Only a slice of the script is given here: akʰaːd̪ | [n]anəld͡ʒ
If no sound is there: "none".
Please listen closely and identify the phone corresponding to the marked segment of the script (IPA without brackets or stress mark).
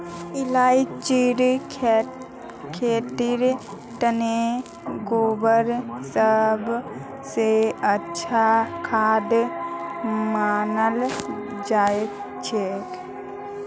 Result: m